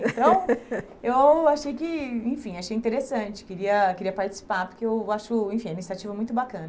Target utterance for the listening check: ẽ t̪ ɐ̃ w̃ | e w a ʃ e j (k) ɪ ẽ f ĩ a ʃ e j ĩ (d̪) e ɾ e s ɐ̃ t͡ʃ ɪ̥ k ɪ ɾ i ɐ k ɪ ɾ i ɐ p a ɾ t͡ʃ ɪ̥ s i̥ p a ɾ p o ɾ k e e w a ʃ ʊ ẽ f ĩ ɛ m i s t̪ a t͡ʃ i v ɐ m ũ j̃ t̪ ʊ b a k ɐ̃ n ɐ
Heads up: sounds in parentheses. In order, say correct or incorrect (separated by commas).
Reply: correct, incorrect